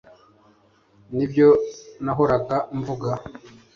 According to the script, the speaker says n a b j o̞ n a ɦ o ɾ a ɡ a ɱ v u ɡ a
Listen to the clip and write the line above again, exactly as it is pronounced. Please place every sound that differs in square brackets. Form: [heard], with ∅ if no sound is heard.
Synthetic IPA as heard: n [i] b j o̞ n a ɦ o ɾ a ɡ a ɱ v u ɡ a